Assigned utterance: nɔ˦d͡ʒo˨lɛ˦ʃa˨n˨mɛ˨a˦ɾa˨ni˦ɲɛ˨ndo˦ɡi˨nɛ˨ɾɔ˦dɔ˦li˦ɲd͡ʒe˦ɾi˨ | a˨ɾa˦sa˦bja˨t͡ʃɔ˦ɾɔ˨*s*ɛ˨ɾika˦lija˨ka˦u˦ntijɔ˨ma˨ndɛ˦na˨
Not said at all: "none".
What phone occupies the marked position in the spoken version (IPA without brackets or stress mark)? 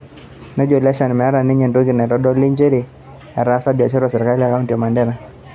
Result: s